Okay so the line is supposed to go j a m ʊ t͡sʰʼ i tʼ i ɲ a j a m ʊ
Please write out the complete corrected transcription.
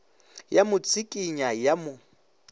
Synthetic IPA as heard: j a m ʊ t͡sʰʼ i kʼ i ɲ a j a m ʊ